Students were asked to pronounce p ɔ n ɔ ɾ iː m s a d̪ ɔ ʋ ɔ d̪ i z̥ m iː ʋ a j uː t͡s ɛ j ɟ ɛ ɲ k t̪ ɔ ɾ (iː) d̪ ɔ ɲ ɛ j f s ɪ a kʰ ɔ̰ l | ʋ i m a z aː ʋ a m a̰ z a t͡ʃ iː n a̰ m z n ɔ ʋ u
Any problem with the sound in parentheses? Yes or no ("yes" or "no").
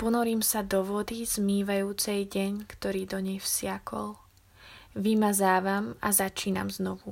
no